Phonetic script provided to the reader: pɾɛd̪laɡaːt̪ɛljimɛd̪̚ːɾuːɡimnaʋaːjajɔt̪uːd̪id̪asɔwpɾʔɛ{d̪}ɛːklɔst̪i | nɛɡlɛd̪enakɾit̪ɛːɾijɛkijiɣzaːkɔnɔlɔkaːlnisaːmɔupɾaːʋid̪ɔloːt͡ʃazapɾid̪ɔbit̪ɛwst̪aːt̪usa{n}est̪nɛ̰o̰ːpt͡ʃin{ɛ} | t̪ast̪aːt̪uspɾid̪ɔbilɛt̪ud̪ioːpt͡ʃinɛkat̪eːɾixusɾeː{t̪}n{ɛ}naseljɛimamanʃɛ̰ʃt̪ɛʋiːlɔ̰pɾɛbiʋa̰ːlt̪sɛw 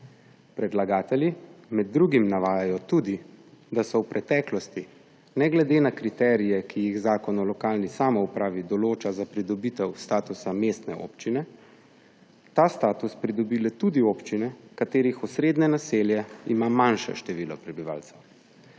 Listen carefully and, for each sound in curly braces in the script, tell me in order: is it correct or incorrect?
incorrect: t̪, incorrect: m, correct, incorrect: d̪, correct

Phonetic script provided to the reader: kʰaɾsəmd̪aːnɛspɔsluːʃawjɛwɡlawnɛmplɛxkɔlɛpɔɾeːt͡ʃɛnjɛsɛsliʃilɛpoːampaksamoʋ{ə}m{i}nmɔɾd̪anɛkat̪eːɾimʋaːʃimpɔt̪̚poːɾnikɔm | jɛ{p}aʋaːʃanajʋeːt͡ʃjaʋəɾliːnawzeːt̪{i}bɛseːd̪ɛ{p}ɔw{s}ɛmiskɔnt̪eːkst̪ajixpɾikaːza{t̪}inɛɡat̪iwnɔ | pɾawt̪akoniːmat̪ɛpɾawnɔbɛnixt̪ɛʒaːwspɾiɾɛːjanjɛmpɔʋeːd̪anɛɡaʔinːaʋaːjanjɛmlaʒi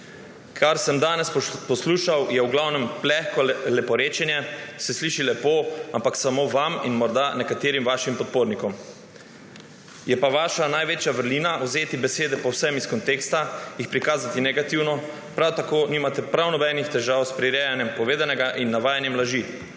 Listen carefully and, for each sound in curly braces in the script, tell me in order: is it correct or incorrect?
incorrect: a, correct, correct, correct, correct, correct, correct

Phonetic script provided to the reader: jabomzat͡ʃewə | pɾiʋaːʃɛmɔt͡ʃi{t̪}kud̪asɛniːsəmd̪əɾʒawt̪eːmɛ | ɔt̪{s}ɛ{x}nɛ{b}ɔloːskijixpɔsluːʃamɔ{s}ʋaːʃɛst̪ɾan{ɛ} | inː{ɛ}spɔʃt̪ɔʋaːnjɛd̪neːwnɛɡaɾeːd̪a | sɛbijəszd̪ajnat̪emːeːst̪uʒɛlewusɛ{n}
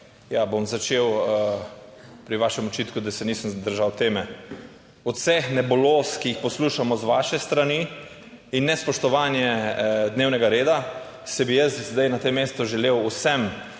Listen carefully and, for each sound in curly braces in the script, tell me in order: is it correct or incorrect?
correct, correct, correct, correct, incorrect: z, incorrect: i, correct, incorrect: m

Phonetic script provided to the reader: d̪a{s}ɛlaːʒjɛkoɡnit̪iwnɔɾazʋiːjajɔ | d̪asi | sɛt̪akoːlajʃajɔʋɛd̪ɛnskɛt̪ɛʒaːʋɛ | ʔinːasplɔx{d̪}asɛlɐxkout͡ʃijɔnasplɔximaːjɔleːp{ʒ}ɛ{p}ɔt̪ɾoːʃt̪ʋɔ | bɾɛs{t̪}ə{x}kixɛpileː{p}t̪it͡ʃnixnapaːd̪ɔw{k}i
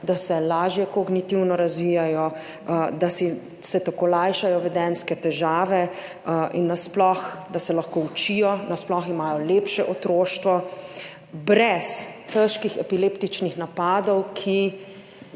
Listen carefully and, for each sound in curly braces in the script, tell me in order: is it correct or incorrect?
correct, correct, incorrect: ʃ, incorrect: ʔ, correct, incorrect: ʃ, correct, incorrect: kʰ

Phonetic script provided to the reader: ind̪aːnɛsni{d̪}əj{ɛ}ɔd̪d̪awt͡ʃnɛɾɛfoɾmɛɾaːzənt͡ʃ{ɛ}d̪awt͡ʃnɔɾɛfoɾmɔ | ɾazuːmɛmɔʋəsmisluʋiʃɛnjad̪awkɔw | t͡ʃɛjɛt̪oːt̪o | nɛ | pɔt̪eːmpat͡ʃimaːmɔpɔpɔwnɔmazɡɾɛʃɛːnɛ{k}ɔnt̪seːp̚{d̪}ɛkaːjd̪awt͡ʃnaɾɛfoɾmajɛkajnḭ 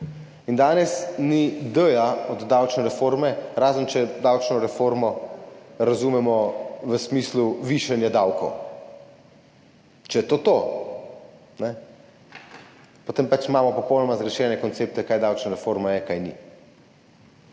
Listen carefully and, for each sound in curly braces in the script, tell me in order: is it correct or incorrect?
correct, incorrect: a, correct, correct, incorrect: t̪

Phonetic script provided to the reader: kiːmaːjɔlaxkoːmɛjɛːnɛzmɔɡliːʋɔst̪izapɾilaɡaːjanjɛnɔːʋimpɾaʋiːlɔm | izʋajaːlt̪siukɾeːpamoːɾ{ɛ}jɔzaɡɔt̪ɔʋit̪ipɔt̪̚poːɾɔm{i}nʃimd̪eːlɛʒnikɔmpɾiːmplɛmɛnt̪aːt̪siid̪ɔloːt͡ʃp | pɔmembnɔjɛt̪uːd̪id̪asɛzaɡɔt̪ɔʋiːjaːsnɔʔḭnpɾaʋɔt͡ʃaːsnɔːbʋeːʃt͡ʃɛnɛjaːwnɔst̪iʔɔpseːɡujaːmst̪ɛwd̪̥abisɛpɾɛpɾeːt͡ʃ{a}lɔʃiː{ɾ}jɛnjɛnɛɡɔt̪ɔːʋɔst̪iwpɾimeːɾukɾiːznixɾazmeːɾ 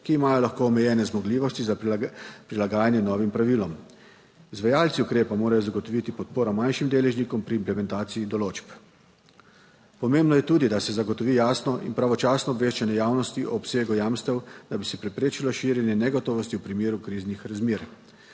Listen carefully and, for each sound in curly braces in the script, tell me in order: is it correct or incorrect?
incorrect: a, incorrect: a, incorrect: i, correct

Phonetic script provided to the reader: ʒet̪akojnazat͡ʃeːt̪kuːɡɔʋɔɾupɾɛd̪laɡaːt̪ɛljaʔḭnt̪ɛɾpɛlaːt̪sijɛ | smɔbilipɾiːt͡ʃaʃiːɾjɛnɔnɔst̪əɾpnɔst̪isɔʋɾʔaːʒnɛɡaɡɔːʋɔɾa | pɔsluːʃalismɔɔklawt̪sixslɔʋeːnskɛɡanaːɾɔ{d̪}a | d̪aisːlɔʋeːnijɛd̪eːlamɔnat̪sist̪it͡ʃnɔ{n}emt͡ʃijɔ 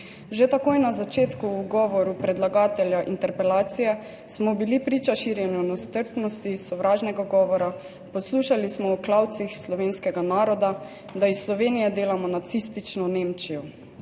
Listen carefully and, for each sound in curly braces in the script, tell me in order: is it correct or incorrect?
correct, correct

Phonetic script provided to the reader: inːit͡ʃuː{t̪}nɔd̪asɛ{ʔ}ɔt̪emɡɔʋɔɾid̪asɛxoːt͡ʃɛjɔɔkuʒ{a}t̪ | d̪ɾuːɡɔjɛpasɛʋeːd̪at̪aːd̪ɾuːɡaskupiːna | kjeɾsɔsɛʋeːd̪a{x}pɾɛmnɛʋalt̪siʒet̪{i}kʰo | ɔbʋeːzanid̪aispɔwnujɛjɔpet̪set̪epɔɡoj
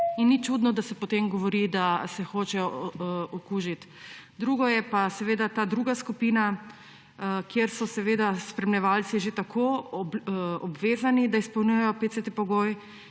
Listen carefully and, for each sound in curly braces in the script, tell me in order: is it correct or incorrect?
incorrect: d̪, incorrect: p, incorrect: i, incorrect: s, incorrect: a

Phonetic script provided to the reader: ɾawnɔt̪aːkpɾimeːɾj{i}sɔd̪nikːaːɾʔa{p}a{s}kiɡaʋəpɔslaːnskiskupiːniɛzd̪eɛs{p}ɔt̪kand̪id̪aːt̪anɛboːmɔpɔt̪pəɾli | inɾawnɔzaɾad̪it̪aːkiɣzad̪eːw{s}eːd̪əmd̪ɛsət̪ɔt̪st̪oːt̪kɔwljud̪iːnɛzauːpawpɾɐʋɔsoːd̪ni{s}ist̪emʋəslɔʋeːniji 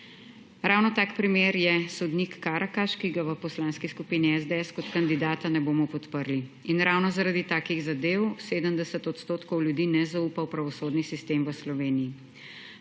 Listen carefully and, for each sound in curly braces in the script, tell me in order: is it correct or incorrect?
incorrect: ɛ, incorrect: k, incorrect: ʃ, incorrect: k, correct, correct

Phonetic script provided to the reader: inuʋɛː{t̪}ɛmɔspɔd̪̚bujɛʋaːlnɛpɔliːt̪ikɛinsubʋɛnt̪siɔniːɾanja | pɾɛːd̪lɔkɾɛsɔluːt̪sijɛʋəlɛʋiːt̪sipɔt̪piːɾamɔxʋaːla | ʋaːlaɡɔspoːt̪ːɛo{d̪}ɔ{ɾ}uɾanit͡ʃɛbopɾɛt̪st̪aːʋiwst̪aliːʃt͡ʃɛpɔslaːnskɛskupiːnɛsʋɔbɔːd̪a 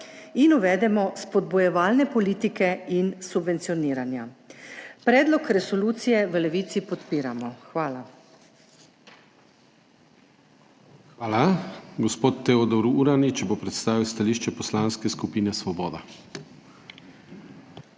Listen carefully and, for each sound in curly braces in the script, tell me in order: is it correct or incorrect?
incorrect: d̪, correct, correct

